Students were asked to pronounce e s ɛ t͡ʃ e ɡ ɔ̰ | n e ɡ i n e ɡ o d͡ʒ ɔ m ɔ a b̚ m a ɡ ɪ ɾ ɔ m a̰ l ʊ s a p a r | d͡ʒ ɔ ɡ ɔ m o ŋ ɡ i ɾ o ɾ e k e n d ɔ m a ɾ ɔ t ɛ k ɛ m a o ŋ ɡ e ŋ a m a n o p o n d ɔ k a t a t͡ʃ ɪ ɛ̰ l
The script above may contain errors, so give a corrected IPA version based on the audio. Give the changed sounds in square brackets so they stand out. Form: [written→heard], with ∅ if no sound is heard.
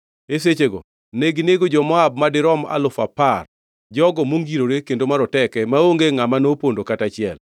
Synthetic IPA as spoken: e s [ɛ→e] t͡ʃ e ɡ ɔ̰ | n e ɡ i n e ɡ o d͡ʒ ɔ m ɔ a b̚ m a [ɡ→d] ɪ ɾ ɔ m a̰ l ʊ [s→f] a p a r | d͡ʒ ɔ ɡ ɔ m o ŋ ɡ i ɾ o ɾ e k e n d [ɔ→o] m a ɾ ɔ t ɛ k ɛ m a o ŋ ɡ e ŋ a m a n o p o n d [ɔ→o] k a t a t͡ʃ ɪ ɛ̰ l